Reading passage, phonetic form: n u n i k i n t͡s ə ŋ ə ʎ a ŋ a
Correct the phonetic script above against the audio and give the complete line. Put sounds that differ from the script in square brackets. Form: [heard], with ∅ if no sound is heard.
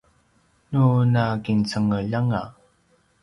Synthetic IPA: n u n [a] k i n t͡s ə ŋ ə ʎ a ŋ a